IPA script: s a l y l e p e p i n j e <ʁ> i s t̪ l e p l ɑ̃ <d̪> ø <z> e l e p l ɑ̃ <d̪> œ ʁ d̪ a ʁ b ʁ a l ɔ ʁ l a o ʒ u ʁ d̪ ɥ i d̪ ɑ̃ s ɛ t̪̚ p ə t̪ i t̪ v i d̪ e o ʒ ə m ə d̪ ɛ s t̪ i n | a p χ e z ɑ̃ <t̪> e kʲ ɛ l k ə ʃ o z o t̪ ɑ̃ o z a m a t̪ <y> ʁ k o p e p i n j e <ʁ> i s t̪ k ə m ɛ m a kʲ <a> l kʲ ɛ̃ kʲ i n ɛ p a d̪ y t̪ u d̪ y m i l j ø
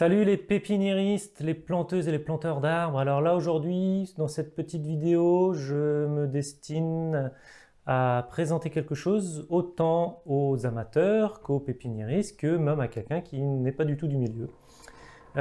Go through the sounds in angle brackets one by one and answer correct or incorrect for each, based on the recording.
correct, incorrect: t̪, correct, incorrect: t̪, correct, incorrect: œ, correct, incorrect: ɛ

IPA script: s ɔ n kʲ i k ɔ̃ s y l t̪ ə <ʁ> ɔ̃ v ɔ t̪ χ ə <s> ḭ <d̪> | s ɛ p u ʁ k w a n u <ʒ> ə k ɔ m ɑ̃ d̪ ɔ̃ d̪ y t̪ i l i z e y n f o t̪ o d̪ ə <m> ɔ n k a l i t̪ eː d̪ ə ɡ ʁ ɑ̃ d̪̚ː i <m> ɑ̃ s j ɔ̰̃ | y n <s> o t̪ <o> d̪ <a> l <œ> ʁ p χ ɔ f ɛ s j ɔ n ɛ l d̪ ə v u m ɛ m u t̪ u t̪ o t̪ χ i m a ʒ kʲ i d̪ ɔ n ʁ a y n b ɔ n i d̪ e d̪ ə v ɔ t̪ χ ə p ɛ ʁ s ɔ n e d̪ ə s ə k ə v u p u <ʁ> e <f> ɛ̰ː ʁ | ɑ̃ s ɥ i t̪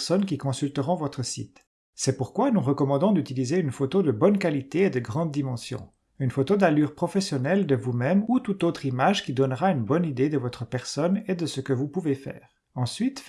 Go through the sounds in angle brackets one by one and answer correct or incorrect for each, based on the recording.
correct, correct, incorrect: t̪, incorrect: ʁ, incorrect: b, correct, incorrect: f, correct, correct, incorrect: y, incorrect: v, correct

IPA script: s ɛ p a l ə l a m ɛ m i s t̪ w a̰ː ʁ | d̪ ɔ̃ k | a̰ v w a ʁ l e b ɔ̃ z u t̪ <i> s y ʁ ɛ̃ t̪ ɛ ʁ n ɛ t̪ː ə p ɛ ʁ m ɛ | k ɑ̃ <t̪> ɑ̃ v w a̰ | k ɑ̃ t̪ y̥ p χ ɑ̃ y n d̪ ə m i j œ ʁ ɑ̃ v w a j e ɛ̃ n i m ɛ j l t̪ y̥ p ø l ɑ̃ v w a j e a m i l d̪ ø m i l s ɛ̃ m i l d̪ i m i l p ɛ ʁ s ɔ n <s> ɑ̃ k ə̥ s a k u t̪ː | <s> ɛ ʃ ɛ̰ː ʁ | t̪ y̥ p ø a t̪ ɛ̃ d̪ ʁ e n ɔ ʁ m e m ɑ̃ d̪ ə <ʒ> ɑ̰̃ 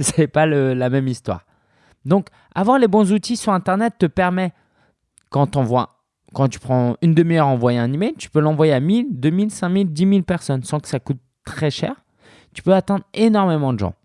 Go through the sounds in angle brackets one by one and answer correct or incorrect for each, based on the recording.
correct, correct, correct, incorrect: χ, correct

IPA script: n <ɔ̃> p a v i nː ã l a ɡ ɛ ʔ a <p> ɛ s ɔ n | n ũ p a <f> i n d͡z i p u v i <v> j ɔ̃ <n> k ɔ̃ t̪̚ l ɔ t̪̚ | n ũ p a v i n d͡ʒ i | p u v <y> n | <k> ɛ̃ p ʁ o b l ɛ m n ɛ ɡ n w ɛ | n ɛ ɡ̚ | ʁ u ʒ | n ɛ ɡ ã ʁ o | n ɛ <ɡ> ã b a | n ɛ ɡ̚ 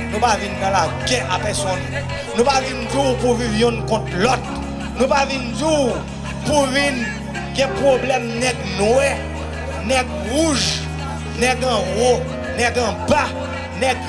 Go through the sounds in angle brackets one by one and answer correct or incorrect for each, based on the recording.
incorrect: ũ, correct, incorrect: v, correct, correct, incorrect: i, incorrect: ɡ, correct

